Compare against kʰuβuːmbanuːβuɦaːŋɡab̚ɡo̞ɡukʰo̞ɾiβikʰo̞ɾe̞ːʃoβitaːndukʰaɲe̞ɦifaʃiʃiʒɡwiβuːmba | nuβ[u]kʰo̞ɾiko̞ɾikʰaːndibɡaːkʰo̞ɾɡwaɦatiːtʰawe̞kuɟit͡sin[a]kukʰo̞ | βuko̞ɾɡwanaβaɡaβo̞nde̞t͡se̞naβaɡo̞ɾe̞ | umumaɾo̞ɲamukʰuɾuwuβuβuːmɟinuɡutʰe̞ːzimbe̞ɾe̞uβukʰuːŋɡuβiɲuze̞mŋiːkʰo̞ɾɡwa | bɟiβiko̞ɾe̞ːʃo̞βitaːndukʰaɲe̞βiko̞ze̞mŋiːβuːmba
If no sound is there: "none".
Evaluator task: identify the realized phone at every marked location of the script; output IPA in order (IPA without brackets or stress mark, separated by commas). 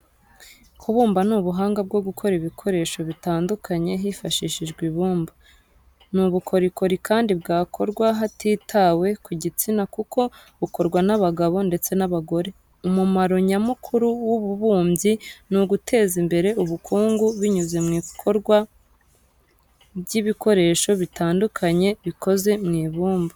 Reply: u, a